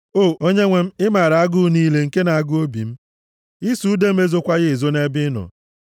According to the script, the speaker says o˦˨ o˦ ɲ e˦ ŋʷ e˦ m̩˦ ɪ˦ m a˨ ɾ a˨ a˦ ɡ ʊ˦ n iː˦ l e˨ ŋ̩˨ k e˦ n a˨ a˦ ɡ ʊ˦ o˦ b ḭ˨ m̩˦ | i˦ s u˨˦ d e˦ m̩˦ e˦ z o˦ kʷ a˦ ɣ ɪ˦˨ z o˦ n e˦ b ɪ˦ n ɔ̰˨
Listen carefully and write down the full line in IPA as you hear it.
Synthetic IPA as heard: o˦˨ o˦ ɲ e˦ ŋʷ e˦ m̩˦ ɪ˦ m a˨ ɾ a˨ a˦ ɡ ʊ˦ n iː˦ l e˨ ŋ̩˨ k e˦ n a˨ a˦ ɡ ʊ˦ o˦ b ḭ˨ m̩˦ | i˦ s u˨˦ d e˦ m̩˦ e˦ z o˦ kʷ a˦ ɣ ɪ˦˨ z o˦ n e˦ b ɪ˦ n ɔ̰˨